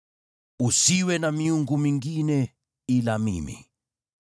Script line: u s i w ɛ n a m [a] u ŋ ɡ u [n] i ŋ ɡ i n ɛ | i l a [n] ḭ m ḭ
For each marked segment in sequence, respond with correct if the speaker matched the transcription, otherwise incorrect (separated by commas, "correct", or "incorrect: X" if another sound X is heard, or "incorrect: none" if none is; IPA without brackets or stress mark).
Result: incorrect: i, incorrect: m, incorrect: m